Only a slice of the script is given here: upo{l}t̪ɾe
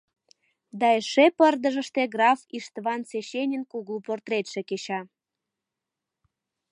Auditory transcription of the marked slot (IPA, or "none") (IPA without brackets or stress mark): r